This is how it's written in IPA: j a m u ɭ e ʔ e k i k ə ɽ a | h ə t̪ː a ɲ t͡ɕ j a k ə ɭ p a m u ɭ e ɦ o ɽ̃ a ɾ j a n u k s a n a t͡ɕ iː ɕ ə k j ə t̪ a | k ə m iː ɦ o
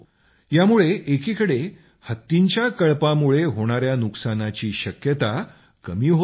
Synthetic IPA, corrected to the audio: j a m u ɭ e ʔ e k i k ə ɽ e | h ə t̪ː i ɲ t͡ɕ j a k ə ɭ p a m u ɭ e ɦ o ɽ̃ a ɾ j a n u k s a n a t͡ɕ iː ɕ ə k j ə t̪ a | k ə m iː ɦ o